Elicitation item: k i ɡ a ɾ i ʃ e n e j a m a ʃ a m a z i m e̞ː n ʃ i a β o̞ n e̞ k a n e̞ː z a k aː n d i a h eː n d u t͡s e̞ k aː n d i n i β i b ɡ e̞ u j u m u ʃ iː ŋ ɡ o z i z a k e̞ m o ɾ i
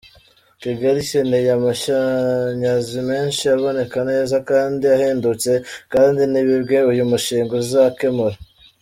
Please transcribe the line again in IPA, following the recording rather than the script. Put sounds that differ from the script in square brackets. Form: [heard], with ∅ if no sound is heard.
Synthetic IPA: k i ɡ a ɾ i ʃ e n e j a m a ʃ a [ɲ] a z i m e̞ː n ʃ i a β o̞ n e̞ k a n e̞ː z a k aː n d i a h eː n d u t͡s e̞ k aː n d i n i β i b ɡ e̞ u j u m u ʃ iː ŋ ɡ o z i z a k e̞ m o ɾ [a]